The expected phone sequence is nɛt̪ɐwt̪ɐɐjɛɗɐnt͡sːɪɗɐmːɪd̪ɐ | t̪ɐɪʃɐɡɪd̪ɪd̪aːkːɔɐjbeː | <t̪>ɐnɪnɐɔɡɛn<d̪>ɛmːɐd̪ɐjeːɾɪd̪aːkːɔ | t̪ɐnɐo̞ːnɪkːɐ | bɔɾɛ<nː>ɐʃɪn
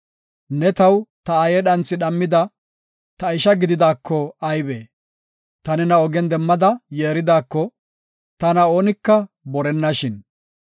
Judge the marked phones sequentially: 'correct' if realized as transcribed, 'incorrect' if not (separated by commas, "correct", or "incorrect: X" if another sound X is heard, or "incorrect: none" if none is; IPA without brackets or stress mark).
correct, correct, correct